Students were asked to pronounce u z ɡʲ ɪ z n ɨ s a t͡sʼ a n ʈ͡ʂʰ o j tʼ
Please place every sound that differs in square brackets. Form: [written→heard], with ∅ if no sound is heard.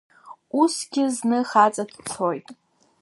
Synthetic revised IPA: u [z→s] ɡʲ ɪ z n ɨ [s→χ] a t͡sʼ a [n→d] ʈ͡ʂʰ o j tʼ